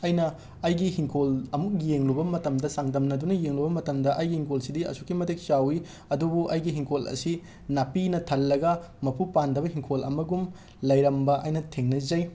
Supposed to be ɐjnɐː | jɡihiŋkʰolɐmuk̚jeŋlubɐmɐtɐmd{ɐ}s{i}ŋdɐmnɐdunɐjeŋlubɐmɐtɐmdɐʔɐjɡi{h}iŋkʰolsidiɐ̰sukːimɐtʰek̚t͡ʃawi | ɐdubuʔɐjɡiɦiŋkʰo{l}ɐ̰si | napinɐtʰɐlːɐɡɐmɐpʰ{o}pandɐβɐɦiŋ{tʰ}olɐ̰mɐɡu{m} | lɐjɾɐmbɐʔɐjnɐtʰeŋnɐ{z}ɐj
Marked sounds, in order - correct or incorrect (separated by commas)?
correct, incorrect, correct, correct, incorrect, incorrect, correct, correct